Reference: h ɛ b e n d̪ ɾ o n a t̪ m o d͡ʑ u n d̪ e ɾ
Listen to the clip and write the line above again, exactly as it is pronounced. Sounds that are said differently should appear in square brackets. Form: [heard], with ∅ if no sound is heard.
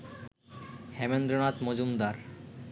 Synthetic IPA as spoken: h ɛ [m] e n d̪ ɾ o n a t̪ m o d͡ʑ u [m] d̪ [a] ɾ